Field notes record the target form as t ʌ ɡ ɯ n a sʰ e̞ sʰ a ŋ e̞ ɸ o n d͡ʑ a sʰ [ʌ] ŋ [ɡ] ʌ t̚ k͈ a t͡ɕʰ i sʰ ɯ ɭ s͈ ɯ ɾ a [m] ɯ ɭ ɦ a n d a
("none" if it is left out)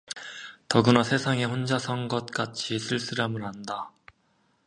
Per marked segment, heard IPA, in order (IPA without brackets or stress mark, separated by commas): ʌ, ɡ, m